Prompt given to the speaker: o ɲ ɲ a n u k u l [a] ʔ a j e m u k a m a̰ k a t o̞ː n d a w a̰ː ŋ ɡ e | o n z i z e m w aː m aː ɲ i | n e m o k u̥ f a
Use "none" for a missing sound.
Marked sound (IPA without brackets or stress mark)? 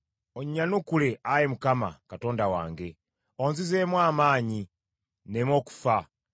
e